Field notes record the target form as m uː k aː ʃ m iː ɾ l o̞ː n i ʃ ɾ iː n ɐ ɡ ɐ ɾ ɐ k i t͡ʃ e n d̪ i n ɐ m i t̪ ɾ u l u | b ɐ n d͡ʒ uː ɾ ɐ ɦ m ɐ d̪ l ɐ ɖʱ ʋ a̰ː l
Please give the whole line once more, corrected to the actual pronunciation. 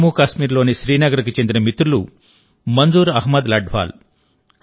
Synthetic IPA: m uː k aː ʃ m iː ɾ l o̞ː n i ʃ ɾ iː n ɐ ɡ ɐ ɾ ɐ k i t͡ʃ e n d̪ i n ɐ m i t̪ ɾ u l u | m ɐ n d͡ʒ uː ɾ ɐ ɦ m ɐ d̪ l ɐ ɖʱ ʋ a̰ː l